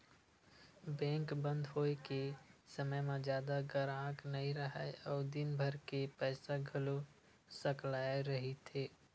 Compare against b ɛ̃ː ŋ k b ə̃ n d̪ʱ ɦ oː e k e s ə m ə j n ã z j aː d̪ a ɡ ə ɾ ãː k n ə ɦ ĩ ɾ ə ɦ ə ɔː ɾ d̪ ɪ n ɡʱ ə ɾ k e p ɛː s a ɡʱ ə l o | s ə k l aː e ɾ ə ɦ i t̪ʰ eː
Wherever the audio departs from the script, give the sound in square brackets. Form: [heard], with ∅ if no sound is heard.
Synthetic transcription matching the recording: b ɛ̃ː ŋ k b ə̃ n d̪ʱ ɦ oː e k e s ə m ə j [m] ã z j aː d̪ a ɡ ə ɾ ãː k n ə ɦ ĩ ɾ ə ɦ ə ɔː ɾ d̪ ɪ n [bʱ] ə ɾ k e p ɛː s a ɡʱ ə l o | s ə k l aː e ɾ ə ɦ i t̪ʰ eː